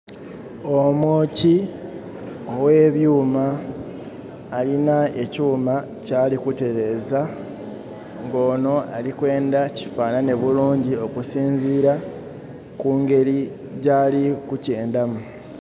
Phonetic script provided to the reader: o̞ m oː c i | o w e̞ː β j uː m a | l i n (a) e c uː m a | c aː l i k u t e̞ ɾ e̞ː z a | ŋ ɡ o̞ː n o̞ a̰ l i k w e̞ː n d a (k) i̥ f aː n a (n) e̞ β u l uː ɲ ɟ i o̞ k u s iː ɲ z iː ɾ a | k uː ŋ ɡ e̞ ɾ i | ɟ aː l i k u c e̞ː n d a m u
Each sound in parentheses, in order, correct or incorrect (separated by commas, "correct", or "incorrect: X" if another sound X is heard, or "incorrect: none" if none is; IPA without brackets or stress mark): correct, incorrect: c, correct